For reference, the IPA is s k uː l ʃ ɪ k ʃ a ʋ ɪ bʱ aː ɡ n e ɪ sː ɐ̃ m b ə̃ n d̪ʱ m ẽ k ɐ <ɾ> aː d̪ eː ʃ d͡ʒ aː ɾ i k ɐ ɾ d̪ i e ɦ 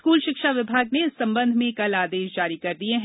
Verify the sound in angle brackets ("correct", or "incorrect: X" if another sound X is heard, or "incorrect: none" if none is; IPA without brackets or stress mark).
incorrect: l